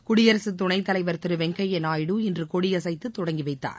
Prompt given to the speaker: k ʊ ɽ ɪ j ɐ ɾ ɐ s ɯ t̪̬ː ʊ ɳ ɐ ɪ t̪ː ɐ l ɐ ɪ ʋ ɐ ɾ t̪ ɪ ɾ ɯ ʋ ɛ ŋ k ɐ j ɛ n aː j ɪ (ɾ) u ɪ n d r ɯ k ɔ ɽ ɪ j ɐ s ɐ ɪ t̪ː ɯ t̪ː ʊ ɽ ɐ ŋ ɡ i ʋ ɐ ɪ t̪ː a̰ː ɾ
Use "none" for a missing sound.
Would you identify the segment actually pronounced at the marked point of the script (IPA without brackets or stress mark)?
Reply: ɽ